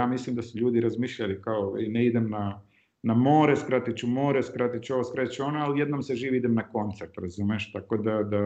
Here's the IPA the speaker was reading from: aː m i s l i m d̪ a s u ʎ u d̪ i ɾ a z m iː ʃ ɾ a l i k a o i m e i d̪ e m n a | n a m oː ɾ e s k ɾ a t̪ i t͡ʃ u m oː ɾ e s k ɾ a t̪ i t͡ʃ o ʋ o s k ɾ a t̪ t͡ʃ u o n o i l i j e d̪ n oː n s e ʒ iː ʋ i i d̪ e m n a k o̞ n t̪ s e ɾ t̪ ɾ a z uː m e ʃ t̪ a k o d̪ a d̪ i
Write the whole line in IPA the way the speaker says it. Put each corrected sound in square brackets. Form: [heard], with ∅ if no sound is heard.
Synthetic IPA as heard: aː m i s l i m d̪ a s u ʎ [uː] d̪ i ɾ a z m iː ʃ [ʎ] a l i k a o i [n] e i d̪ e m n a | n a m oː ɾ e s k ɾ a t̪ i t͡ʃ u m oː ɾ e s k ɾ a t̪ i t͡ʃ o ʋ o s k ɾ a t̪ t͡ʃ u o n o [a] l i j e d̪ n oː [m] s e ʒ iː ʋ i i d̪ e m n a k o̞ n t̪ s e ɾ t̪ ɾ a z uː m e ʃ t̪ a k o d̪ a d̪ [a]